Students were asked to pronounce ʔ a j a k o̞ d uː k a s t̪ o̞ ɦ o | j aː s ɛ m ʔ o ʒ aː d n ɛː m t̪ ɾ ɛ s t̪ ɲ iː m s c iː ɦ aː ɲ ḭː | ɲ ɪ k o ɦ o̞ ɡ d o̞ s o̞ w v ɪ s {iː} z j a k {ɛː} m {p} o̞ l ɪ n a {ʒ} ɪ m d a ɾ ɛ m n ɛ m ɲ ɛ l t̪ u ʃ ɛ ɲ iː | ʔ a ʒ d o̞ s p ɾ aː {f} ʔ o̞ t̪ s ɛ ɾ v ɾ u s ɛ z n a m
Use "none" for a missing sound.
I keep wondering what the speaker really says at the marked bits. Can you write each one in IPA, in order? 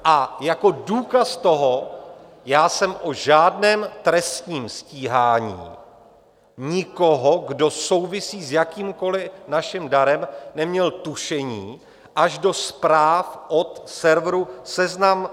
iː, iː, k, ʃ, f

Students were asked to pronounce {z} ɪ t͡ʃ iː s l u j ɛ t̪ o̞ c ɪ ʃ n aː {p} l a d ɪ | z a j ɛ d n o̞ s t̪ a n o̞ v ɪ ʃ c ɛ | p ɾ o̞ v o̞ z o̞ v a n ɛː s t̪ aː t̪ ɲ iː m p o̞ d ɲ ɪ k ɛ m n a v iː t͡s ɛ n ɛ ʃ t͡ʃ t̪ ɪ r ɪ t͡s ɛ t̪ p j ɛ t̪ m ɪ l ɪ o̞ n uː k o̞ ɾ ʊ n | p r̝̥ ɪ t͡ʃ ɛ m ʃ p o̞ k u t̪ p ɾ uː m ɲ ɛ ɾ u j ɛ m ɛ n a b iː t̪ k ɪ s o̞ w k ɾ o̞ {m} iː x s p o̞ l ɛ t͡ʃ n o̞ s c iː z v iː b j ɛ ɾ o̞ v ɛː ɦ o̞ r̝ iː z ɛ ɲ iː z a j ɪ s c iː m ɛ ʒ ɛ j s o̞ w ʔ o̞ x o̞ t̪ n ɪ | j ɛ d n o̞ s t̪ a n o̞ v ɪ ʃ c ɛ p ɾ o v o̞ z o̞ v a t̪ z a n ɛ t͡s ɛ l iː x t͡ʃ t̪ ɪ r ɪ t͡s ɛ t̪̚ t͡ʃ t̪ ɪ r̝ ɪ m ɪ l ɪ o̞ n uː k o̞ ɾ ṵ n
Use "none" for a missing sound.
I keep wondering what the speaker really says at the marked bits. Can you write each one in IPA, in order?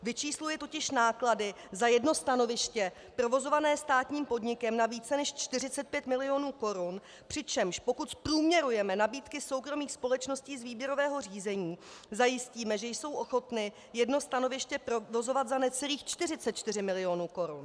v, k, m

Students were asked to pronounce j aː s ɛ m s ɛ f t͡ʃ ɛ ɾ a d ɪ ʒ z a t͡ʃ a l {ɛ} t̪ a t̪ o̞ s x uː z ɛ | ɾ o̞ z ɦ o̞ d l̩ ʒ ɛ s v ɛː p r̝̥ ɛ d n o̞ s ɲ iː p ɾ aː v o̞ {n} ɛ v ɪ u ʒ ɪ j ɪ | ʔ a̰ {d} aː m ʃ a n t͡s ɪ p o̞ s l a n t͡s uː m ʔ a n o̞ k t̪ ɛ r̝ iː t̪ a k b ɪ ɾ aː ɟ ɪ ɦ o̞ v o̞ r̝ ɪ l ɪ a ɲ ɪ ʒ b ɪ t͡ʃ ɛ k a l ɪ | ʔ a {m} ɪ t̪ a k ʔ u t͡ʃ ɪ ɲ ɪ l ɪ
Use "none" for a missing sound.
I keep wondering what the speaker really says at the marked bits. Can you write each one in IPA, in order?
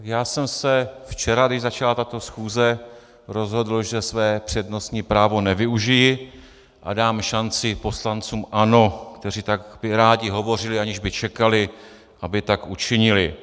a, n, d, b

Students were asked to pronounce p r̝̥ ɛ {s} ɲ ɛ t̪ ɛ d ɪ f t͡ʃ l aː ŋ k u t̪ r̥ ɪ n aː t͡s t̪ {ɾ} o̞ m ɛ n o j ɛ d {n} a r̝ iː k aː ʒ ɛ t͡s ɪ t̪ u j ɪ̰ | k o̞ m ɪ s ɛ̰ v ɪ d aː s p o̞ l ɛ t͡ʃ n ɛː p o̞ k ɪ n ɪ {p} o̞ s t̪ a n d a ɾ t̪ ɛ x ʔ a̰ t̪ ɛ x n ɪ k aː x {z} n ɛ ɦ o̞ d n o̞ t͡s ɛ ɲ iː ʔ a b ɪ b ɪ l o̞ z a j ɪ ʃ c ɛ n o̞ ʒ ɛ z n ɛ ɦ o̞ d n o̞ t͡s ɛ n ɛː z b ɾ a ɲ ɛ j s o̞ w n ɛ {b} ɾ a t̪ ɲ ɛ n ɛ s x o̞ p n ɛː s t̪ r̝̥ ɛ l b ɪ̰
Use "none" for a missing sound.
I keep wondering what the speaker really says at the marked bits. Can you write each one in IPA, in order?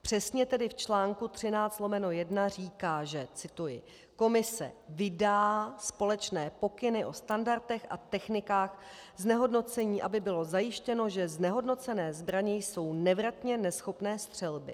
s, l, n, ʔ, z, v

